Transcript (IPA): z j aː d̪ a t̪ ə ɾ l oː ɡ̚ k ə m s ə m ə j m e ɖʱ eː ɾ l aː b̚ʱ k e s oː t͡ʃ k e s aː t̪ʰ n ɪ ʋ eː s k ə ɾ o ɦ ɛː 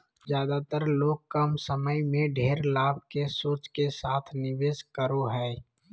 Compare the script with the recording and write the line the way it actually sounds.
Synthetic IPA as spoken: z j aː d̪ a t̪ ə ɾ l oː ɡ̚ k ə m s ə m ə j m ẽ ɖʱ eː ɾ l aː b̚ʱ k e s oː t͡ʃ k e s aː t̪ʰ n ɪ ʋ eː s k ə ɾ o ɦ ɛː

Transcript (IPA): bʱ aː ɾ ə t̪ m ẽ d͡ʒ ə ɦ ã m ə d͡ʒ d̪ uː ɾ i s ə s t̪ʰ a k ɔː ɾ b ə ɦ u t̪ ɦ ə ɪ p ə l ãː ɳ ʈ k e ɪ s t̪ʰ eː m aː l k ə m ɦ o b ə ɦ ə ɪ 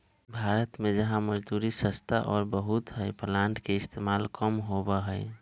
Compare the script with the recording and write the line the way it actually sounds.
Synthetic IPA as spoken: bʱ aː ɾ ə t̪ m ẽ d͡ʒ ə ɦ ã m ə d͡ʒ d̪ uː ɾ i s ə s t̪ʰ a ʔ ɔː ɾ b ə ɦ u t̪ ɦ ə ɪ p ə l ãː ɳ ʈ k e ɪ s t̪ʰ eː m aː l k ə m ɦ o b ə ɦ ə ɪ

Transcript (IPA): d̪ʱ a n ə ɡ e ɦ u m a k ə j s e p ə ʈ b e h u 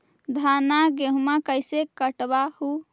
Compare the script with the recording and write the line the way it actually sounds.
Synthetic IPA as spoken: d̪ʱ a n a ɡ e ɦ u m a k ə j s e k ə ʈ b a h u

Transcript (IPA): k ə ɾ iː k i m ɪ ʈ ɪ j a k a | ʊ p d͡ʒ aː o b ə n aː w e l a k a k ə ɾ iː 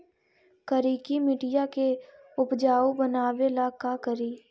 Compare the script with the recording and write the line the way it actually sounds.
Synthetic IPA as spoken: k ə ɾ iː k i m ɪ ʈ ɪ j a k e | ʊ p d͡ʒ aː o b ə n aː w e l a k a k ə ɾ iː

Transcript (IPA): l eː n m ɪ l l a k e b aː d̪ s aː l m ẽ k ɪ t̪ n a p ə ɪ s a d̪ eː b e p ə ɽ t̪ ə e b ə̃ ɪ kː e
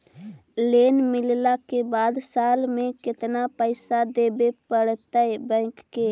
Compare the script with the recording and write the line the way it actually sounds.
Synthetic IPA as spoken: l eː n m ɪ l l a k e b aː d̪ s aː l m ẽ k ɪ t̪ n a p ə ɪ s a d̪ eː b e p ə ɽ t̪ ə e b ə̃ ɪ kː e

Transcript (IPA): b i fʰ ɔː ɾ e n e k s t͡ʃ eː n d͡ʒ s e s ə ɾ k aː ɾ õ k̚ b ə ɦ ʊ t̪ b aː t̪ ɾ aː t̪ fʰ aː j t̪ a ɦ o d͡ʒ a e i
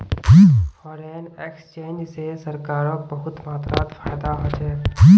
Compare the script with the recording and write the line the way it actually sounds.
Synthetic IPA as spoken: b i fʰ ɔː ɾ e n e k s t͡ʃ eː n d͡ʒ s e s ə ɾ k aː ɾ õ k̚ b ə ɦ ʊ t̪ m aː t̪ ɾ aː t̪ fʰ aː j d̪ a ɦ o d͡ʒ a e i

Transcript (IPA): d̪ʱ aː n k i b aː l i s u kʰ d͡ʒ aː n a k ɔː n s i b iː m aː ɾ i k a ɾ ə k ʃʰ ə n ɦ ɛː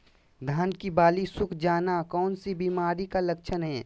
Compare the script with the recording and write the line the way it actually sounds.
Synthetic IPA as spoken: d̪ʱ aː n k i b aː l i s ʊ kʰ d͡ʒ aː n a k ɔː n s i b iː m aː ɾ i k a l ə k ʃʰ ə n ɦ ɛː

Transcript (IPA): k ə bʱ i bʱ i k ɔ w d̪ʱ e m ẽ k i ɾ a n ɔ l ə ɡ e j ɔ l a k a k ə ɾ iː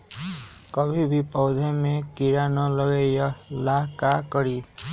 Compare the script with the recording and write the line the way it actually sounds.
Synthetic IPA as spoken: k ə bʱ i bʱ i p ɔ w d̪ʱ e m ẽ k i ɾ a n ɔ l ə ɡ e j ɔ l a k a k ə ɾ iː

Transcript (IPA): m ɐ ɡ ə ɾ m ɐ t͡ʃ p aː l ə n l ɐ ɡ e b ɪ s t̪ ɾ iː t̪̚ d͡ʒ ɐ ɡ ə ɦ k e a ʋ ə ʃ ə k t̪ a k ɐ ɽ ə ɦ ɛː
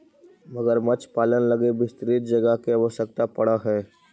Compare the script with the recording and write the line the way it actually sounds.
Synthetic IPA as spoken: m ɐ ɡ ə ɾ m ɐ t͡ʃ p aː l ə n l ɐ ɡ e b ɪ s t̪ ɾ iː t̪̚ d͡ʒ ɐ ɡ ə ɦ k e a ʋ ə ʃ ə k t̪ a p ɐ ɽ a ɦ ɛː

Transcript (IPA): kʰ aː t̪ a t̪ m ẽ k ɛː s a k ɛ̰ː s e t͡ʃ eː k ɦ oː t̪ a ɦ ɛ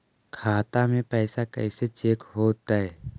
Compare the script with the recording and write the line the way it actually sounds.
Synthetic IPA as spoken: kʰ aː t̪ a m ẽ p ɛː s a k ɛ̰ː s e t͡ʃ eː k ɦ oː t̪ a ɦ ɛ

